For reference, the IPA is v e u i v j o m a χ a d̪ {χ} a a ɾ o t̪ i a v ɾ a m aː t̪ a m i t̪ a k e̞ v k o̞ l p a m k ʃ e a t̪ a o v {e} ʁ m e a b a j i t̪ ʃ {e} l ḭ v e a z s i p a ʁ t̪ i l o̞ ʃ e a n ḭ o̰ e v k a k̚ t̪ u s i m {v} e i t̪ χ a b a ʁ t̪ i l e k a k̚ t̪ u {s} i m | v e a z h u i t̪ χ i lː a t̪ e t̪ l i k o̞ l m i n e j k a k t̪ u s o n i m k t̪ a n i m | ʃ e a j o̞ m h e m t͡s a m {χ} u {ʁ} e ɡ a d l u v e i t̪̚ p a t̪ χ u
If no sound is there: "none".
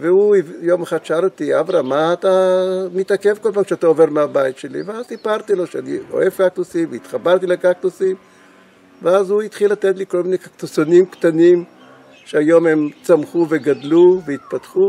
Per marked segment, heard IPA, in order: ʃ, e, e, v, s, χ, v

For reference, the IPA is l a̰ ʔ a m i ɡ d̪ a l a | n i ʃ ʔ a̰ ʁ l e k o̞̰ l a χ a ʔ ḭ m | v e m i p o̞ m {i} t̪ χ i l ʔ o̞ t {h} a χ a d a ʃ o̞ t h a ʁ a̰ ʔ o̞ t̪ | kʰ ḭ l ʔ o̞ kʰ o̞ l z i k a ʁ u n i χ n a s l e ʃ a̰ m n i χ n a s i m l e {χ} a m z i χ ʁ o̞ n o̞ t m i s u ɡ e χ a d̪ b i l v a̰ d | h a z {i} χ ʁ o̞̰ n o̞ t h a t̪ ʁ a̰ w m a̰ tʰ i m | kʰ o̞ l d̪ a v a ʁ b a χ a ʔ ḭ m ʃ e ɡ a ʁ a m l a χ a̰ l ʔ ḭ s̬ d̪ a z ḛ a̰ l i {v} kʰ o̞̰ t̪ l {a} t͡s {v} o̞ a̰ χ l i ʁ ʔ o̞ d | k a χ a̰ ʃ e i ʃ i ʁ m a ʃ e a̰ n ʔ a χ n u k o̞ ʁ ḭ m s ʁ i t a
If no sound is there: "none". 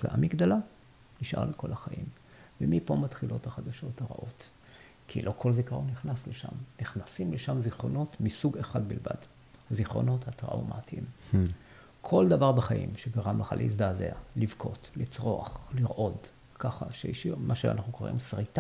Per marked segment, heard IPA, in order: a, h, ʃ, i, v, i, ʁ

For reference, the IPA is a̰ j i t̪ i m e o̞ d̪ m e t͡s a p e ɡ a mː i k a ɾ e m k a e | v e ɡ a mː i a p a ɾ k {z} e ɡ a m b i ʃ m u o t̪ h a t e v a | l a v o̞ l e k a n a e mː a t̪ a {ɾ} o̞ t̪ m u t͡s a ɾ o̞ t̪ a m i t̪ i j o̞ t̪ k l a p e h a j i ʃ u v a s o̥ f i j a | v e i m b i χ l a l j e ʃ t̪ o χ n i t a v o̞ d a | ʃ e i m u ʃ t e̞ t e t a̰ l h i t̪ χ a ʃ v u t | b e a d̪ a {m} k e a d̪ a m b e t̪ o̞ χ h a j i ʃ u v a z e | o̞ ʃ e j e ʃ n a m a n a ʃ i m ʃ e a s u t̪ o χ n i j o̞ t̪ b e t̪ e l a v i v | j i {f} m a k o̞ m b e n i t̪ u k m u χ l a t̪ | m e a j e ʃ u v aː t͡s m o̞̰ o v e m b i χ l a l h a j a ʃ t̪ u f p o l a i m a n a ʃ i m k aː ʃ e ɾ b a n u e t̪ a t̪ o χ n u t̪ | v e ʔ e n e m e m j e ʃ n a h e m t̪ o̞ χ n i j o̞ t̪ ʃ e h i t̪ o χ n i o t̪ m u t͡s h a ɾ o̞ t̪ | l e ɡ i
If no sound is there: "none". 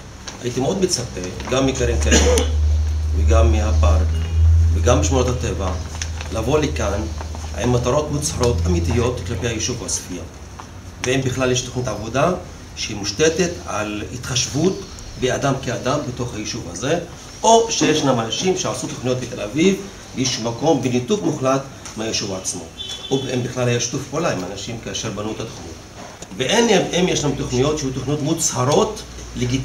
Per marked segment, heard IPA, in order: v, ɾ, m, ʃ

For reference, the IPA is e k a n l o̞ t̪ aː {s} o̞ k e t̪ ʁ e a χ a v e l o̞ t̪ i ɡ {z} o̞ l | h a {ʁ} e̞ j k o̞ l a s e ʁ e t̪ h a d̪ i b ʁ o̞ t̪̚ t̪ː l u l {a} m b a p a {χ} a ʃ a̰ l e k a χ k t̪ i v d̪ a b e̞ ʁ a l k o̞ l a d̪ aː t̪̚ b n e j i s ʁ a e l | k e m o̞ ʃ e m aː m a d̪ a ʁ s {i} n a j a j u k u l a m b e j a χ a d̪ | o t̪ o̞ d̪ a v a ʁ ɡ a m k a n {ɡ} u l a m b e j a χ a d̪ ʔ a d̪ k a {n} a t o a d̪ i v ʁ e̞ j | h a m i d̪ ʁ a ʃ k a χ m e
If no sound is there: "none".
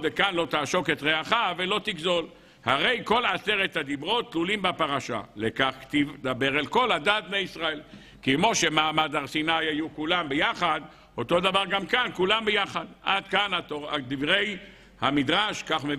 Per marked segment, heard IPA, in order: ʃ, z, ʁ, i, ʁ, i, k, n

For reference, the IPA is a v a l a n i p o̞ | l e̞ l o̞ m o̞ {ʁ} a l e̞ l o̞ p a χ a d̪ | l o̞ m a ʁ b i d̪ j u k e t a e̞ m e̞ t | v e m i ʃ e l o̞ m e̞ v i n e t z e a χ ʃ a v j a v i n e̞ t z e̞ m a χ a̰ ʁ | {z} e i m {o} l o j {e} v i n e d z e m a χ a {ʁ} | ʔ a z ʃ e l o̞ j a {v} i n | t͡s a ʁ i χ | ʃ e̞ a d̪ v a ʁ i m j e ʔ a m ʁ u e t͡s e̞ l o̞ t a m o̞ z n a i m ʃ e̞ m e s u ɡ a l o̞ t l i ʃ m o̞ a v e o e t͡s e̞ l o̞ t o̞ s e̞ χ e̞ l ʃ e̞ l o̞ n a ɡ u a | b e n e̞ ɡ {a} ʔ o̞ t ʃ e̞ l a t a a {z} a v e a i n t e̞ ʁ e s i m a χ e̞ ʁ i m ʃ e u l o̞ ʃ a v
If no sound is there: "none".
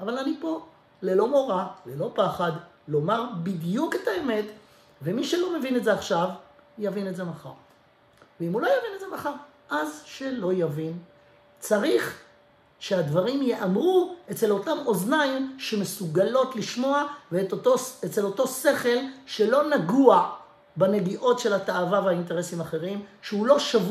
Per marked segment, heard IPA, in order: ʁ, v, u, a, ʁ, v, i, v

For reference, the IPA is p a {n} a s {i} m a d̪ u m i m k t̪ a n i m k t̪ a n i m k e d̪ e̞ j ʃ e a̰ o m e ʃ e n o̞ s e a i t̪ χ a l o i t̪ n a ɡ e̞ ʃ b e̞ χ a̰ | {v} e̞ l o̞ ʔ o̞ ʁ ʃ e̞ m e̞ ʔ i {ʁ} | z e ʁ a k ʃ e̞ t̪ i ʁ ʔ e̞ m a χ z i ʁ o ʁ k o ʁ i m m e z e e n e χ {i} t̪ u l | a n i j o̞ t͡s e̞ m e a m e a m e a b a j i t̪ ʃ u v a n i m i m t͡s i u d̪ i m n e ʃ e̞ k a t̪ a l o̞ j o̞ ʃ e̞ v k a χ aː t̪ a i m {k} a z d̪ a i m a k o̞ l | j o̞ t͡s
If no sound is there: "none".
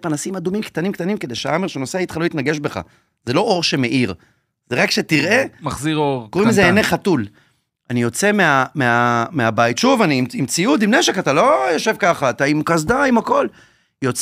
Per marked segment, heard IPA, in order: n, i, z, ʁ, a, k

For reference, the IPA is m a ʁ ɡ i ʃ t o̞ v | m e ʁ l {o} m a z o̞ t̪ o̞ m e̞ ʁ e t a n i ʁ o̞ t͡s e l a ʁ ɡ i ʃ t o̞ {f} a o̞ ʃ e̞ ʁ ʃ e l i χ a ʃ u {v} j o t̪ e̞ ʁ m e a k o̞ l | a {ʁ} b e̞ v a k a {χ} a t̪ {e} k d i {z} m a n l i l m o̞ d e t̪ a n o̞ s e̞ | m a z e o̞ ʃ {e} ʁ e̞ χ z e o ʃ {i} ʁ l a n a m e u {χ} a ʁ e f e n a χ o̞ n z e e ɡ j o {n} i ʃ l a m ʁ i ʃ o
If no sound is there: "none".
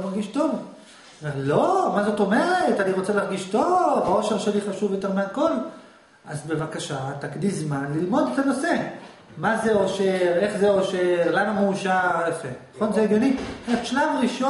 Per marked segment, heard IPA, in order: o, v, v, z, ʃ, a, z, e, e, ʃ, n

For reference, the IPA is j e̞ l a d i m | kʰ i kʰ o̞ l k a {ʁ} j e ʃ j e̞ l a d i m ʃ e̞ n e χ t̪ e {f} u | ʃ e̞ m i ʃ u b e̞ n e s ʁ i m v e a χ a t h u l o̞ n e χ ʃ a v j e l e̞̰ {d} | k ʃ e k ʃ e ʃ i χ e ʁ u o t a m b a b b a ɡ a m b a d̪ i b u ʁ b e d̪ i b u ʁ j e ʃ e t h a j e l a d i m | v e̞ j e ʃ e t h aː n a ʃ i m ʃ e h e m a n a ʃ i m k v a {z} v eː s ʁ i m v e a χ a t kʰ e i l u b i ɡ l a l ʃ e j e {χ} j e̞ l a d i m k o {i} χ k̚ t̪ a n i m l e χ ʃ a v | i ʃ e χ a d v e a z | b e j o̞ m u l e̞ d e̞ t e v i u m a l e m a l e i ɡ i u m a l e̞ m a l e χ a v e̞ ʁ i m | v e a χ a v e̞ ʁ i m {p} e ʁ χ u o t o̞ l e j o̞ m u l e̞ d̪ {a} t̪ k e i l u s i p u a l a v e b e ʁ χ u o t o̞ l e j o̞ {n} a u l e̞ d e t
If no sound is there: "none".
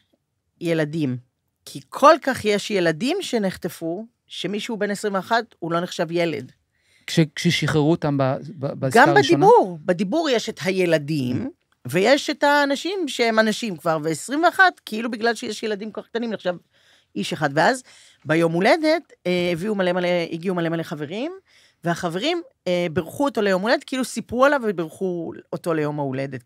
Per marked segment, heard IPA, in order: χ, f, d, ʁ, ʃ, a, b, e, m

